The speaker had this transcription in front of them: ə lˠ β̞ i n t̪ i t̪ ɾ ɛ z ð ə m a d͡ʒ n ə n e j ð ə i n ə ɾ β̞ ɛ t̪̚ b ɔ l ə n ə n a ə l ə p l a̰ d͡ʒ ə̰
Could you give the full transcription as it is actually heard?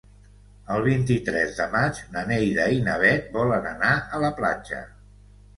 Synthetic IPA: ə lˠ β̞ i n t̪ i t̪ ɾ ɛ z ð ə m a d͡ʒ n ə n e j ð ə i n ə β̞ ɛ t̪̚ b ɔ l ə n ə n a ə l ə p l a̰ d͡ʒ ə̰